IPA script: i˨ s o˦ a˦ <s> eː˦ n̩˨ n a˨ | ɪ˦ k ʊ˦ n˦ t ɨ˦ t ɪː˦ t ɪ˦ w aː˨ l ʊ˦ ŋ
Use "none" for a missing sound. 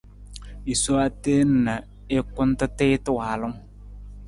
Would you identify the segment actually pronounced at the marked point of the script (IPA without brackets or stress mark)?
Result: t